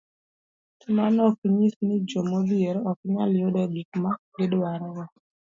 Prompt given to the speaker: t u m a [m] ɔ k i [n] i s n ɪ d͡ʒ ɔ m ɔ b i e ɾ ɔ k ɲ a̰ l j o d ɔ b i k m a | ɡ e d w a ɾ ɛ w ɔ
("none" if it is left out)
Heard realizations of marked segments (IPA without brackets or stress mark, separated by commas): n, ɲ